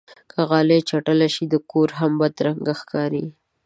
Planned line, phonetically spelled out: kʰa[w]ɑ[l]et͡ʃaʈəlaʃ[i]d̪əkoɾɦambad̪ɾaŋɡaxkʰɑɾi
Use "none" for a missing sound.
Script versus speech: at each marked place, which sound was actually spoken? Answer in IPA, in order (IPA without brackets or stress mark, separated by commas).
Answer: ɣ, l, i